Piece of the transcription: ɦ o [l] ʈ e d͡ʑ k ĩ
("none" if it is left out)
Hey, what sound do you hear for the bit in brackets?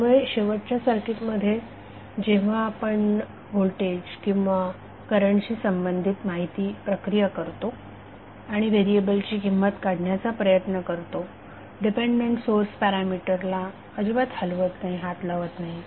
l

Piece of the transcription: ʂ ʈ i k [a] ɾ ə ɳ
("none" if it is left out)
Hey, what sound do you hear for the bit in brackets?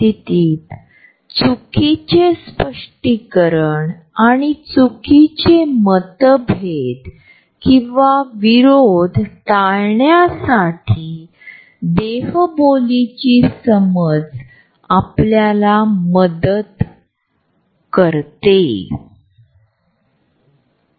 ə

